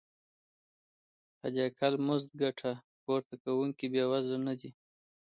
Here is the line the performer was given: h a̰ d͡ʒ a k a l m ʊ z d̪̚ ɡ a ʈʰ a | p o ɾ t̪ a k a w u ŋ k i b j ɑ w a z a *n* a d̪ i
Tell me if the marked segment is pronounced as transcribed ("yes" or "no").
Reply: yes